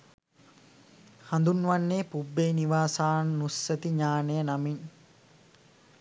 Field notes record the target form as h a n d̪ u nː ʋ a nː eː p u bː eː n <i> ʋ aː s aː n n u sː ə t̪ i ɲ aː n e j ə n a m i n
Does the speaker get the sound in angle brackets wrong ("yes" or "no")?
no